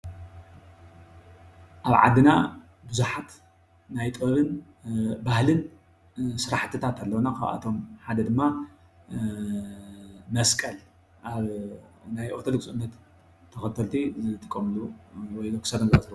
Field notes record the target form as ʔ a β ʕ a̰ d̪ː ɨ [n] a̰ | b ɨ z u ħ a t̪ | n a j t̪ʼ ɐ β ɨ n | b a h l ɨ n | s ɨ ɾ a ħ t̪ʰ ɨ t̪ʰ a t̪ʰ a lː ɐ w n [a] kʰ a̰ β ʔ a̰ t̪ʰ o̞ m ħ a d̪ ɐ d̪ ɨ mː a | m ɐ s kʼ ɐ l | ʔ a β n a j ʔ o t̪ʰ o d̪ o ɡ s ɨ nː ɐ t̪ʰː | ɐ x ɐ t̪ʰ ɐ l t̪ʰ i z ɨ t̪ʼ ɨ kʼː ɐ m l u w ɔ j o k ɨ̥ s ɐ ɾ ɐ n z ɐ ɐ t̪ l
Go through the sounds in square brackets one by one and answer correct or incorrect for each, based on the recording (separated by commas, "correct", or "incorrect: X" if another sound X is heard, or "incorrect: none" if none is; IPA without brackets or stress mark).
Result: correct, correct